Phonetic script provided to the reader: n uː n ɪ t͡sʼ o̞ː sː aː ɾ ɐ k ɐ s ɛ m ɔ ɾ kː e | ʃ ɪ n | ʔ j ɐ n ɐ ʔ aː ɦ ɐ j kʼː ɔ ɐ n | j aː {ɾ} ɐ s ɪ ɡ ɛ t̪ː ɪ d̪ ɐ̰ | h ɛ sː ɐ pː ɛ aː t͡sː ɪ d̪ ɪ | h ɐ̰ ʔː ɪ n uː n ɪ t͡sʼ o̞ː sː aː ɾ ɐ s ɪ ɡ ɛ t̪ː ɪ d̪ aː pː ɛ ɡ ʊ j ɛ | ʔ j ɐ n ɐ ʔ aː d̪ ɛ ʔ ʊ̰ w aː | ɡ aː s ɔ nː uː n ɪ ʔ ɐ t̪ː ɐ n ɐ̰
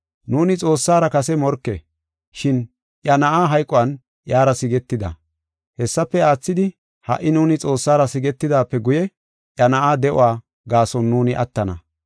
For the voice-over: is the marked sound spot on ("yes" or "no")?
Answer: yes